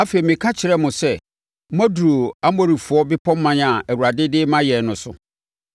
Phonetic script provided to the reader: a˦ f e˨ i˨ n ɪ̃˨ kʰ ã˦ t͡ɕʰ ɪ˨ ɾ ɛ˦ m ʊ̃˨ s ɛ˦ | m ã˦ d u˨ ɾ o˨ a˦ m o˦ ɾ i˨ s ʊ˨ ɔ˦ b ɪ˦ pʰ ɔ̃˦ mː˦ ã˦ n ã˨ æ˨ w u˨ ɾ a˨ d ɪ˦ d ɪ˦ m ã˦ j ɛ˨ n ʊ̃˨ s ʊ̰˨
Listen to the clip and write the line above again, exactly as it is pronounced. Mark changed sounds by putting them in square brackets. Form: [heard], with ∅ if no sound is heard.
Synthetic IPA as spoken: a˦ f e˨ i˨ [m] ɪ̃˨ kʰ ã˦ t͡ɕʰ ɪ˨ ɾ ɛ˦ m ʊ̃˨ s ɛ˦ | m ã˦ d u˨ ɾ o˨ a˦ m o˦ ɾ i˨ [f] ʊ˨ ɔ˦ b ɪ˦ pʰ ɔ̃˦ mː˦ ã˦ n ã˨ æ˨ w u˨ ɾ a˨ d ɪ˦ d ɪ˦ m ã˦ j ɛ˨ n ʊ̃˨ s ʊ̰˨